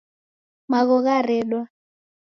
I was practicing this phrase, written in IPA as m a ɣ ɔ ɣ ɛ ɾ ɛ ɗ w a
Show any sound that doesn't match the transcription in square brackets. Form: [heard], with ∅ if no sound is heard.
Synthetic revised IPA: m a ɣ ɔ ɣ [a] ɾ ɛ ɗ w a